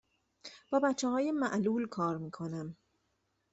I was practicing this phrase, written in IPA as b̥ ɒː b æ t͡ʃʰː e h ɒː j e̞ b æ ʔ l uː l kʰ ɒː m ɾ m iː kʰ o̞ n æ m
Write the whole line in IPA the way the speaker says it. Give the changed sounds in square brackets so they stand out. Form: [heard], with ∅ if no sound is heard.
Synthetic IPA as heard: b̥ ɒː b æ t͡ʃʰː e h ɒː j e̞ [m] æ ʔ l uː l kʰ ɒː [∅] ɾ m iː kʰ o̞ n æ m